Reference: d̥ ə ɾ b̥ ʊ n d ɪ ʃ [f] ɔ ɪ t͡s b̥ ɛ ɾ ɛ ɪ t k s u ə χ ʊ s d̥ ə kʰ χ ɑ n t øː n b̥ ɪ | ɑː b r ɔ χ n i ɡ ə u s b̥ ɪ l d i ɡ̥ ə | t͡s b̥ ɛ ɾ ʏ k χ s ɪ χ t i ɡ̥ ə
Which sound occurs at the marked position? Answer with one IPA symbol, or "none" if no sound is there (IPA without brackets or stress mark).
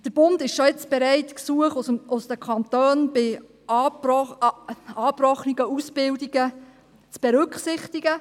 ʃ